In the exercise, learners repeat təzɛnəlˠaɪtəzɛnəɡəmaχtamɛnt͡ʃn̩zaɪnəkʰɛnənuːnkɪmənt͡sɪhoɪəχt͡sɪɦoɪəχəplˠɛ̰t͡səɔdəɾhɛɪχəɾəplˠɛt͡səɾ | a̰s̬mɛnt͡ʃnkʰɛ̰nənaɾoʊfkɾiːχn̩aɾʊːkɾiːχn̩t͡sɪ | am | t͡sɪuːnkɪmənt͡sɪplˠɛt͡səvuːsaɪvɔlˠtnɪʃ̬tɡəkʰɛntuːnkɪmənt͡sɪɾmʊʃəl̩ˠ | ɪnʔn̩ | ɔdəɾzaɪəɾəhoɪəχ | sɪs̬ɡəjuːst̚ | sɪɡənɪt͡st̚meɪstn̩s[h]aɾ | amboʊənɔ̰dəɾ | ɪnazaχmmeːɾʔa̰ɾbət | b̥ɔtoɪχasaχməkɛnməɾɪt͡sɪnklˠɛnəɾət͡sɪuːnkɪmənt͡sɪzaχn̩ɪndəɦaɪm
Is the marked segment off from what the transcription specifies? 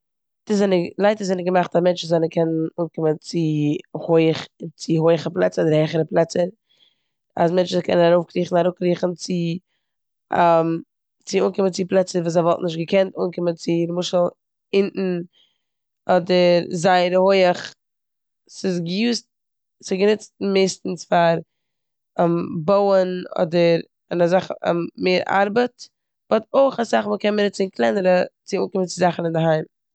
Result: yes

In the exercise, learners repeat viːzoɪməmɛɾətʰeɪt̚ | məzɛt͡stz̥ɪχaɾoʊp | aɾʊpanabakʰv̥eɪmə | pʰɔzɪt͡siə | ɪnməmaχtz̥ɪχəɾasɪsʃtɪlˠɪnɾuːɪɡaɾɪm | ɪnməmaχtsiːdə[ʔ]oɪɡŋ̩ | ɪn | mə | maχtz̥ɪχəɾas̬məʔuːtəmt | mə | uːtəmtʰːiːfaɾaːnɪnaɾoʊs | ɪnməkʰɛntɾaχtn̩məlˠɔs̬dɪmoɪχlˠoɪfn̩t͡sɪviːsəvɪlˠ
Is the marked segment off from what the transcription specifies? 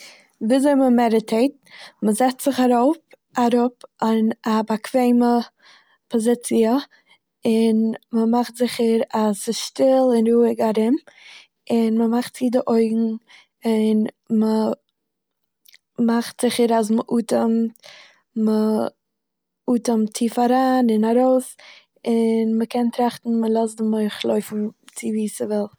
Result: no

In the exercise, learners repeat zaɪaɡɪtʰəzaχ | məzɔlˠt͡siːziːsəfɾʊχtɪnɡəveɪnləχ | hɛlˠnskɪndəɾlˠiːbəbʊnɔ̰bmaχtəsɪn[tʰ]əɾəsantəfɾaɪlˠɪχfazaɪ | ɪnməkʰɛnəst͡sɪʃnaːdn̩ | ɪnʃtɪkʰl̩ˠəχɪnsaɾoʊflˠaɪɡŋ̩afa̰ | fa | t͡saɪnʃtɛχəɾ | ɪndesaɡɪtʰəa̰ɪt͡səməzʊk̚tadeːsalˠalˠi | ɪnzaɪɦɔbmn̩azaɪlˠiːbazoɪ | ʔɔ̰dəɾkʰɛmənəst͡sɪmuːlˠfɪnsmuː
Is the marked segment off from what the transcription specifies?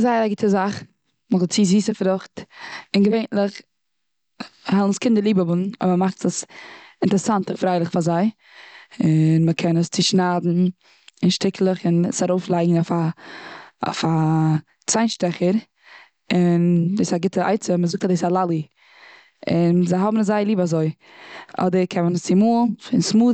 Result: yes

